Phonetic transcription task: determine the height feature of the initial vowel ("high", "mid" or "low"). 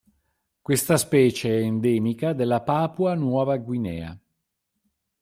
mid